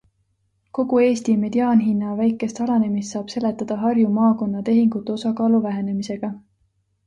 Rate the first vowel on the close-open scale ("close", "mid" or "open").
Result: mid